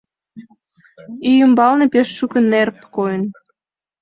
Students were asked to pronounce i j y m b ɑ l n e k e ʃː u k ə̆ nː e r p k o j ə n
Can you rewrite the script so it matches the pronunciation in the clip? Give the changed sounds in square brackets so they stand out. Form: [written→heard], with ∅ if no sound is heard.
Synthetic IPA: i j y m b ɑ l n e [k→p] e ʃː u k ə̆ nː e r p k o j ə n